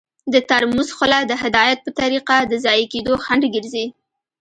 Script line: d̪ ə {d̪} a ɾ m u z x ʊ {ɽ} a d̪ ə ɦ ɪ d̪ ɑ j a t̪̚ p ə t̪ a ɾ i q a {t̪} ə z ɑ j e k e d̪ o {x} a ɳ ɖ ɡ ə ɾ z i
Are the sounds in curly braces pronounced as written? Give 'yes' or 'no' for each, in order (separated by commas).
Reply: no, no, no, yes